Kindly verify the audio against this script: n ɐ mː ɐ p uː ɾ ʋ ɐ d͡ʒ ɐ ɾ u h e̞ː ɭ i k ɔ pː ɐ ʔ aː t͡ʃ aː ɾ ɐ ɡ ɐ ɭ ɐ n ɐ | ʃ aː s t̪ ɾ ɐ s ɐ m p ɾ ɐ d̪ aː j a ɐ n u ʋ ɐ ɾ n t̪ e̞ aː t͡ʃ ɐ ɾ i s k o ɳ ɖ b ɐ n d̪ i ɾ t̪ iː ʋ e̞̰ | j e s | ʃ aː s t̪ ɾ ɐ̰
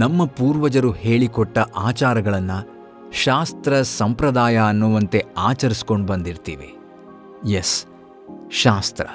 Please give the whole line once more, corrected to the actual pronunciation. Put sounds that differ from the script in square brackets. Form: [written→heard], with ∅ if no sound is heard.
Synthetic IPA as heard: n ɐ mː ɐ p uː ɾ ʋ ɐ d͡ʒ ɐ ɾ u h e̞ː ɭ i k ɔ [pː→ʈː] ɐ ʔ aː t͡ʃ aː ɾ ɐ ɡ ɐ ɭ ɐ [n→nː] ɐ | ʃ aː s t̪ ɾ ɐ s ɐ m p ɾ ɐ d̪ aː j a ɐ [n→nː] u ʋ ɐ [ɾ→∅] n t̪ e̞ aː t͡ʃ ɐ ɾ i s k o ɳ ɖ b ɐ n d̪ i ɾ t̪ iː ʋ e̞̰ | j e s | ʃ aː s t̪ ɾ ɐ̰